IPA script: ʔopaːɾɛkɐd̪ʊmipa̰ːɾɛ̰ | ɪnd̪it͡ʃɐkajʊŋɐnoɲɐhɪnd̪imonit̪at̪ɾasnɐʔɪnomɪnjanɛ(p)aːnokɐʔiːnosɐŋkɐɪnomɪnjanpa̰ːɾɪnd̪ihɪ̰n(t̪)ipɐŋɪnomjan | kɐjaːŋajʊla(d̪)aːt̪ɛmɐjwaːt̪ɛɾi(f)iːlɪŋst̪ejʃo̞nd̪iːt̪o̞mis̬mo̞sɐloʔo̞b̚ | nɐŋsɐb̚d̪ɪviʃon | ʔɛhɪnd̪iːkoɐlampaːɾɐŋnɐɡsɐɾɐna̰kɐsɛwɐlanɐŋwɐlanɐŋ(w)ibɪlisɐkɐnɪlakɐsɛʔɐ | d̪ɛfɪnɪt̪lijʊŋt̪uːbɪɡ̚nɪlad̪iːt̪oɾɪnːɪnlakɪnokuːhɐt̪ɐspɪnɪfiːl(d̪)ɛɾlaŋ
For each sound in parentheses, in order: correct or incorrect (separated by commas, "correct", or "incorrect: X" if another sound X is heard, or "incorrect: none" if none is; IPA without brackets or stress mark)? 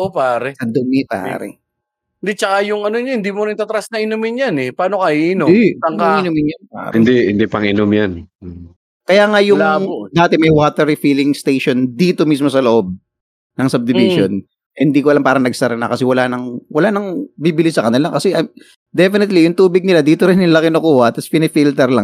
correct, incorrect: d̪, correct, correct, incorrect: b, incorrect: t̪